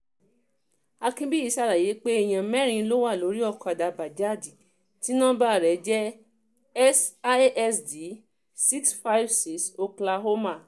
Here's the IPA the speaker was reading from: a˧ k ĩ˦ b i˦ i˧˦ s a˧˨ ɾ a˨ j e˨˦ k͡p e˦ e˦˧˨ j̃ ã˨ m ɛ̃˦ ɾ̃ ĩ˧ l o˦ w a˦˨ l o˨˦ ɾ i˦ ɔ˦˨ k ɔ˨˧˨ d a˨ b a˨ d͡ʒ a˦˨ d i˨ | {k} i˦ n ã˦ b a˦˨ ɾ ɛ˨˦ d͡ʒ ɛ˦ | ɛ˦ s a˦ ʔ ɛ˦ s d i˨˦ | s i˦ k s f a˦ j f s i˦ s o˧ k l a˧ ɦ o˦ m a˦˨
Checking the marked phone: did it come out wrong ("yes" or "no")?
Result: yes